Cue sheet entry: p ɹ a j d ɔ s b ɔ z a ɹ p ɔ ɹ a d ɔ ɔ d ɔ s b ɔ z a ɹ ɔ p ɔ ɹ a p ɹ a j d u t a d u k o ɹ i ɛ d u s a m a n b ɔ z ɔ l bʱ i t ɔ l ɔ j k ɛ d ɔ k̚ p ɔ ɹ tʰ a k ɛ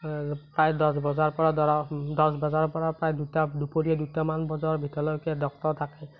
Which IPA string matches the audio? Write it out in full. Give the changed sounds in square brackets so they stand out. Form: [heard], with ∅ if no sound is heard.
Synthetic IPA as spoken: p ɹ a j d ɔ s b ɔ z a ɹ p ɔ ɹ a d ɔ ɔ d ɔ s b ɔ z a ɹ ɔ p ɔ ɹ a p ɹ a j d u t a d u [p] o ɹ i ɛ d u [t] a m a n b ɔ z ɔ [ɹ] bʱ i t ɔ l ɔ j k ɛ d ɔ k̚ [t] ɔ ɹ tʰ a k ɛ